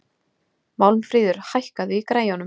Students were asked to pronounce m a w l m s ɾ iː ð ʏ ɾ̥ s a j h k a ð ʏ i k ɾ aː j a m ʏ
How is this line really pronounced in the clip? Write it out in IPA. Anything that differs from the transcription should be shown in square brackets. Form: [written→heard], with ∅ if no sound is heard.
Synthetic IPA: m a w l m [s→f] ɾ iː ð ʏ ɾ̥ [s→h] a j h k a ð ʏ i k ɾ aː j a [m→n] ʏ